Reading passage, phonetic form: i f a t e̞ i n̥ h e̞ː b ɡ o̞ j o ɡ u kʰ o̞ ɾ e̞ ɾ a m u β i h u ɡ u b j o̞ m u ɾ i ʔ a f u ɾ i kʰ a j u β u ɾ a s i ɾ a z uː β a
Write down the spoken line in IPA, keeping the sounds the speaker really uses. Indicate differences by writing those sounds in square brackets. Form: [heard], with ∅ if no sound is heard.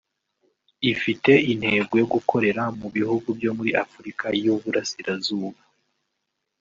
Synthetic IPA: i f [i] t e̞ i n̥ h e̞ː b ɡ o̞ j o ɡ u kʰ o̞ ɾ e̞ ɾ a m u β i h u ɡ u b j o̞ m u ɾ i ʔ a f u ɾ i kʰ a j u β u ɾ a s i ɾ a z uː β a